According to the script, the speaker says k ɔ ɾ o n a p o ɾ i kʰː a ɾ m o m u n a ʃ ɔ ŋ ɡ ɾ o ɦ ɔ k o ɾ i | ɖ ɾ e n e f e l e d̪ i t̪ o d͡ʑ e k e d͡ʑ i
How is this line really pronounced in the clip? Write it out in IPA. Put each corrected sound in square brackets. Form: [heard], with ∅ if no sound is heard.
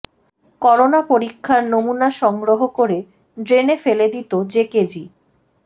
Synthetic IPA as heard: k ɔ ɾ o n a p o ɾ i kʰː a ɾ [n] o m u n a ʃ ɔ ŋ ɡ ɾ o ɦ [o] k o ɾ [e] | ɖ ɾ e n e f e l e d̪ i t̪ o d͡ʑ e k e d͡ʑ i